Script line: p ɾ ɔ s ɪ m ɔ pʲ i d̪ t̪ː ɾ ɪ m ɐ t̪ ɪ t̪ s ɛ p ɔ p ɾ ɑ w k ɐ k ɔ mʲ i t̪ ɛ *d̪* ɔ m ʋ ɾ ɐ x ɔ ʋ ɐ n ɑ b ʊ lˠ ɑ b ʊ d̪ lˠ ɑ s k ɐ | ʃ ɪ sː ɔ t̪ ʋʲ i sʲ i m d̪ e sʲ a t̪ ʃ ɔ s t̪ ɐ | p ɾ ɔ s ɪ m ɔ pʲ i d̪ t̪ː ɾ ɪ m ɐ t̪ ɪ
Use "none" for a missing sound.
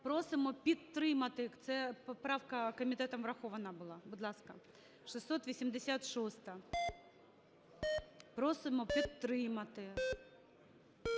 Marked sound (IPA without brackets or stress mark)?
t̪